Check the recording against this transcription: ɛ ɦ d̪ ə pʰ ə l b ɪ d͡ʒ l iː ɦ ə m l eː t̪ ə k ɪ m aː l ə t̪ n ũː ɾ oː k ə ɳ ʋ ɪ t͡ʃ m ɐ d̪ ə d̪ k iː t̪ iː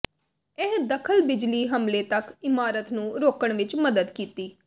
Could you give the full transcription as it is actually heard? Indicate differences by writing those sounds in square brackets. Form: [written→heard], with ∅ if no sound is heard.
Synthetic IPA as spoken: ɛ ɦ d̪ ə [pʰ→kʰ] ə l b ɪ d͡ʒ l iː ɦ ə m l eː t̪ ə k ɪ m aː [l→ɾ] ə t̪ n ũː ɾ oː k ə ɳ ʋ ɪ t͡ʃ m [ɐ→ə] d̪ ə d̪ k iː t̪ iː